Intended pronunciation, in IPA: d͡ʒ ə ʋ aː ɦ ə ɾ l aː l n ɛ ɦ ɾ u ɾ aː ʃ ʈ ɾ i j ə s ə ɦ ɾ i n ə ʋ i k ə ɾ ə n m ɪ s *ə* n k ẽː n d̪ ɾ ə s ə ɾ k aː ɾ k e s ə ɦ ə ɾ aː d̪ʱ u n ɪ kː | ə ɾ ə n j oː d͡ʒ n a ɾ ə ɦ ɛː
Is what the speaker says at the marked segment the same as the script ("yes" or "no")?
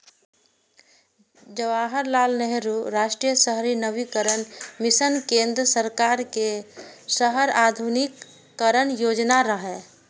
yes